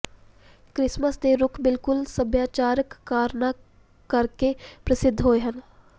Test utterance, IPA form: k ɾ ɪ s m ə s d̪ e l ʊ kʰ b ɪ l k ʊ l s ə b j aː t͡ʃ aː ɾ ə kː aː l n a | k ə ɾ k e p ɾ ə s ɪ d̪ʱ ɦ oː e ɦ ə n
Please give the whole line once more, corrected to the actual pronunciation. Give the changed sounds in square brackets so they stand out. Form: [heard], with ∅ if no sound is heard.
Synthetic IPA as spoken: k ɾ ɪ s m ə s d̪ e [ɾ] ʊ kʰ b ɪ l k ʊ l s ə b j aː t͡ʃ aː ɾ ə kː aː [ɾ] n a | k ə ɾ k e p ɾ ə s ɪ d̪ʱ ɦ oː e ɦ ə n